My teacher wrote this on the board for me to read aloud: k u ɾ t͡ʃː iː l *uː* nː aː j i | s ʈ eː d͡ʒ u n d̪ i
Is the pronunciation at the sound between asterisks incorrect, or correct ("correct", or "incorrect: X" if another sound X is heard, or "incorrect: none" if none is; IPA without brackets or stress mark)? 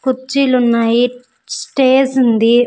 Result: incorrect: u